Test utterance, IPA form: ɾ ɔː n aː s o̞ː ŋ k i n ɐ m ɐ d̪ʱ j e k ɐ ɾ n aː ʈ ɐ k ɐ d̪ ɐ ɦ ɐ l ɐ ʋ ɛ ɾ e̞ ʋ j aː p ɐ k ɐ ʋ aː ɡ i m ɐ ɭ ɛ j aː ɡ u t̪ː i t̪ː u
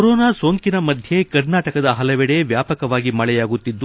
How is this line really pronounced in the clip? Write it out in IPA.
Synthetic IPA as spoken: ɾ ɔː n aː s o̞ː ŋ k i n ɐ m ɐ d̪ʱ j e k ɐ ɾ n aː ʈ ɐ k ɐ d̪ ɐ ɦ ɐ l ɐ ʋ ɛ ɽ e̞ ʋ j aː p ɐ k ɐ ʋ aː ɡ i m ɐ ɭ ɛ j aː ɡ u t̪ː i d̪ː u